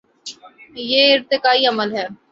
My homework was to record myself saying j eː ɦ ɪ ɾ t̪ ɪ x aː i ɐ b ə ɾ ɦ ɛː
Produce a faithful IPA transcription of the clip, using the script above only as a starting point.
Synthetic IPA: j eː ɪ ɾ t̪ ɪ k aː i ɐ m ə l ɦ ɛː

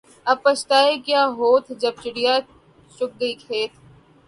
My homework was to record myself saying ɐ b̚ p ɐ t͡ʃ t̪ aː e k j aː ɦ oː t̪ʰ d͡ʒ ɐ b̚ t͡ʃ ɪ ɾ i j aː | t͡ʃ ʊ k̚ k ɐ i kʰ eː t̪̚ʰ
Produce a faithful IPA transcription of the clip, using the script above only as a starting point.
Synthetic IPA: ɐ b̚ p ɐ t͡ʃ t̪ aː e k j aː ɦ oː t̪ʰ d͡ʒ ɐ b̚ t͡ʃ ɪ ɽ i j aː | t͡ʃ ʊ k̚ ɡ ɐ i kʰ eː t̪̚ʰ

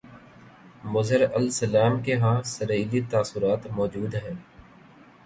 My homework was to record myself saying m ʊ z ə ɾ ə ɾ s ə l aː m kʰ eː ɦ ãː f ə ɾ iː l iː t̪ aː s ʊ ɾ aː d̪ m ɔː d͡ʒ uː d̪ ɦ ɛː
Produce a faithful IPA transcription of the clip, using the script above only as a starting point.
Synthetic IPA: m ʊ z ə ɾ ə l s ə l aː m k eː ɦ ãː s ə ɾ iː l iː t̪ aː s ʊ ɾ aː t̪ m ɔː d͡ʒ uː d̪ ɦ ɛː

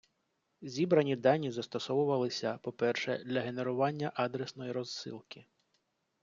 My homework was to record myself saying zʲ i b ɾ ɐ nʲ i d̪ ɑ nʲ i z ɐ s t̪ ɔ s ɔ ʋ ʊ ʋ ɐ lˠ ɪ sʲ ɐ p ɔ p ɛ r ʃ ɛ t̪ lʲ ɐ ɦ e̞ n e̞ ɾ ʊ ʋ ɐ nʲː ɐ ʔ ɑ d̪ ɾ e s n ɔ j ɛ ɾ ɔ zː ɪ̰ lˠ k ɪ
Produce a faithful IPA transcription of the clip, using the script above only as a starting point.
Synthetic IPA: zʲ i b ɾ ɐ nʲ i d̪ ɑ nʲ i z ɐ s t̪ ɔ s ɔ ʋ ʊ ʋ ɐ lˠ ɪ sʲ ɐ p ɔ p ɛ r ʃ ɛ d̪ lʲ ɐ ɦ e̞ n e̞ ɾ ʊ ʋ ɑ nʲː ɐ ʔ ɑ d̪ ɾ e s n ɔ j i ɾ ɔ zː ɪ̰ lˠ k ɪ

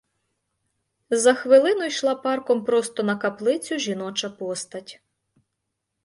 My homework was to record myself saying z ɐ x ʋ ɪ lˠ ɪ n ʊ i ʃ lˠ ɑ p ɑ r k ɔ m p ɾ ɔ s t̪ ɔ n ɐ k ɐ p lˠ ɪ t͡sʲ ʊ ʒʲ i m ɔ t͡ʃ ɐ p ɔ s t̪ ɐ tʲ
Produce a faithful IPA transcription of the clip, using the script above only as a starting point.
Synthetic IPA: z ɐ x ʋ ɪ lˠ ɪ n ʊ j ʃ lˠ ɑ p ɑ r k ɔ m p ɾ ɔ s t̪ ɔ n ɐ k ɐ p lˠ ɪ t͡sʲ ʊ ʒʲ i n ɔ t͡ʃ ɐ p ɔ s t̪ ɐ tʲ

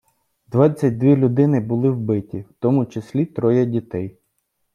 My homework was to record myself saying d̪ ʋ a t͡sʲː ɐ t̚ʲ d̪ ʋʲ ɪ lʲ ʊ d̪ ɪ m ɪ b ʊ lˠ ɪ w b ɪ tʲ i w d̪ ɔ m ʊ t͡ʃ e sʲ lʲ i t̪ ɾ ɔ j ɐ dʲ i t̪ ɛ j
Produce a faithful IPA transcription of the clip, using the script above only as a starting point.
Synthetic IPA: d̪ ʋ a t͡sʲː ɐ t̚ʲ d̪ ʋʲ i lʲ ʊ d̪ ɪ n ɪ b ʊ lˠ ɪ w b ɪ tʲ i w t̪ ɔ m ʊ t͡ʃ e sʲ lʲ i t̪ ɾ ɔ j ɐ dʲ i t̪ ɛ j

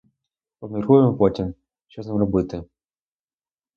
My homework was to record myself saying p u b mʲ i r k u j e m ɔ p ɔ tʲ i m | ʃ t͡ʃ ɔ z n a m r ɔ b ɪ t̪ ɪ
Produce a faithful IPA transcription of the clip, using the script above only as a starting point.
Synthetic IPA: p ɔ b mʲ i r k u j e m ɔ p ɔ tʲ i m | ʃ t͡ʃ ɔ z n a m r ɔ b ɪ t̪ ɪ

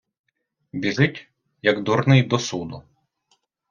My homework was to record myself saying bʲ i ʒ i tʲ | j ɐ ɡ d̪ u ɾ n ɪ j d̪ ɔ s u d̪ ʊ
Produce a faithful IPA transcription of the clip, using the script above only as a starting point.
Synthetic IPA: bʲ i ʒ ɪ tʲ | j ɐ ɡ d̪ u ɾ n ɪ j d̪ ɔ s u d̪ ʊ

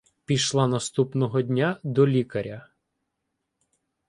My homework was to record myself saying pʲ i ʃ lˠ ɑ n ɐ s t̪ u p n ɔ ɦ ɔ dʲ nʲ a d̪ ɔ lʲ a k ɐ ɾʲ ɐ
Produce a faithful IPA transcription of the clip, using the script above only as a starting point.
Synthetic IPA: pʲ i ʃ lˠ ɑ n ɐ s t̪ u p n ɔ ɦ ɔ dʲ nʲ a d̪ ɔ lʲ i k ɐ ɾʲ ɐ

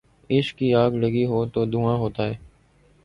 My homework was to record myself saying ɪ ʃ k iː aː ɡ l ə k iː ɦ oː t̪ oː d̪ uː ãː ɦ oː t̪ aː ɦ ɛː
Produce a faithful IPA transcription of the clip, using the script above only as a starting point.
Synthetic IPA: ɪ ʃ k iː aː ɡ l ə ɡ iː ɦ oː t̪ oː d̪ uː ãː ɦ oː t̪ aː ɦ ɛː

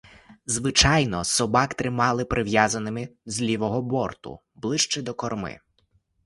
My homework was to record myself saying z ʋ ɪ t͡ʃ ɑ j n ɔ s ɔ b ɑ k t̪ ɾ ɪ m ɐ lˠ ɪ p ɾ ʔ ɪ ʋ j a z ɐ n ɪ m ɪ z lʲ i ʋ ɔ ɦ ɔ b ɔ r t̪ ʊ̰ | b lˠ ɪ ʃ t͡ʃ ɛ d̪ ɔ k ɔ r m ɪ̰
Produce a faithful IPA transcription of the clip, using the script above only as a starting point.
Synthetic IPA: z ʋ ɪ t͡ʃ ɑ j n ɔ s ɔ b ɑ k t̪ ɾ ɪ m ɑ lˠ ɪ p ɾ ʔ ɪ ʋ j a z ɐ n ɪ m ɪ z lʲ i ʋ ɔ ɦ ɔ b ɔ r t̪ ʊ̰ | b lˠ ɪ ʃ t͡ʃ ɛ d̪ ɔ k ɔ r m ɪ̰

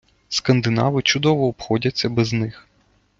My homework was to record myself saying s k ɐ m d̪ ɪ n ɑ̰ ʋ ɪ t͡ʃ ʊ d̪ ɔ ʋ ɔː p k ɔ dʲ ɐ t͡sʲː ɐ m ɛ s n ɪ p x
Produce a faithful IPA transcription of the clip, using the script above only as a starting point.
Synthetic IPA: s k ɐ n d̪ ɪ n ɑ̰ ʋ ɪ t͡ʃ ʊ d̪ ɔ ʋ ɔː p x ɔ dʲ ɐ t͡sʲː ɐ b ɛ z n ɪ x

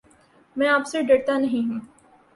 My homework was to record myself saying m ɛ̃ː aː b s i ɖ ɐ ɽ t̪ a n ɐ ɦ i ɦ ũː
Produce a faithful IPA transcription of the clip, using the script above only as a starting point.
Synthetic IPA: m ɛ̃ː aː p s e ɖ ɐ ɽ t̪ a n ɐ ɦ ĩ ɦ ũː

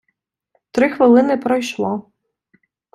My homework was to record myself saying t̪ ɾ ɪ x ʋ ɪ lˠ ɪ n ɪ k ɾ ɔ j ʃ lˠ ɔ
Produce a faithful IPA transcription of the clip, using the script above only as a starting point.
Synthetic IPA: t̪ ɾ ɪ x ʋ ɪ lˠ ɪ n ɪ p ɾ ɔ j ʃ lˠ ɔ

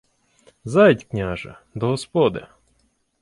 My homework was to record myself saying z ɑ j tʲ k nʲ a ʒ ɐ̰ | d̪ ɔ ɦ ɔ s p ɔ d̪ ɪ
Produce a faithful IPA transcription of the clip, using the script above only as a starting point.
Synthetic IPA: z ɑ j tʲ k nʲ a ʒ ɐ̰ | d̪ ɔ ɦ ɔ s p ɔ d̪ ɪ

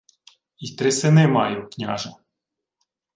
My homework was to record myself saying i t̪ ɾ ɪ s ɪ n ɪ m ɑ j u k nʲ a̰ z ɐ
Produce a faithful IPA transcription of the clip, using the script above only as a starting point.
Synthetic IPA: i t̪ ɾ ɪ s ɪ n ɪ m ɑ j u k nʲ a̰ ʒ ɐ

